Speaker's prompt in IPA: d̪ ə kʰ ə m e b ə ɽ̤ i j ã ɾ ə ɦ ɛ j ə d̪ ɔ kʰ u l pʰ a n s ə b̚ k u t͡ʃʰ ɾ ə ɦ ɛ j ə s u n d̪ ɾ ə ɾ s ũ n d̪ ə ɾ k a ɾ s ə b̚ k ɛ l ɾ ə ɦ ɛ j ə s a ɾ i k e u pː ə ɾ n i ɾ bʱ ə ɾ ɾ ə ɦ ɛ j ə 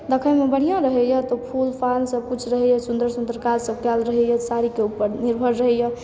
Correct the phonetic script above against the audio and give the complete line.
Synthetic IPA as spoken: d̪ ə kʰ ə m e b ə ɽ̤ i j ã ɾ ə ɦ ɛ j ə t̪ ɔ pʰ u l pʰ a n s ə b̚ k u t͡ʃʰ ɾ ə ɦ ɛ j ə s u n d̪ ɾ ə ɾ s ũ n d̪ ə ɾ k a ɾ s ə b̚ k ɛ l ɾ ə ɦ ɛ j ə s a ɾ i k e u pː ə ɾ n i ɾ bʱ ə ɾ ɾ ə ɦ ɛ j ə